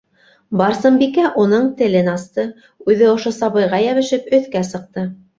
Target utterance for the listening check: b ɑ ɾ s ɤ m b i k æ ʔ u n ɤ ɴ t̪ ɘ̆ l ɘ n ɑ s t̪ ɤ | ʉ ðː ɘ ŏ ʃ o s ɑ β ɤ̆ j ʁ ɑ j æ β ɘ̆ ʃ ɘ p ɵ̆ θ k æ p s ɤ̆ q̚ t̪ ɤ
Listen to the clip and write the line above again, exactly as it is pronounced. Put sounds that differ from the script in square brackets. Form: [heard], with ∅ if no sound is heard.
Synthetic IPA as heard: b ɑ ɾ s ɤ m b i k æ ʔ u n ɤ ɴ t̪ ɘ̆ l ɘ n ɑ s t̪ ɤ | ʉ [ð] ɘ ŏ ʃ o s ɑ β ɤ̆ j ʁ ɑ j æ β ɘ̆ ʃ ɘ p ɵ̆ θ k æ [∅] s ɤ̆ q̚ t̪ ɤ